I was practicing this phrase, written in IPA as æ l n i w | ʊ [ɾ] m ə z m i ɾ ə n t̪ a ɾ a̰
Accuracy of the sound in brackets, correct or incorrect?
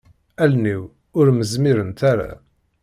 correct